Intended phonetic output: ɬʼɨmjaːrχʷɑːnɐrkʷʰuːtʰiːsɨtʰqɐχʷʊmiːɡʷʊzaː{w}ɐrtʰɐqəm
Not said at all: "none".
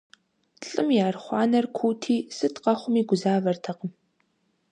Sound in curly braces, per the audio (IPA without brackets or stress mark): v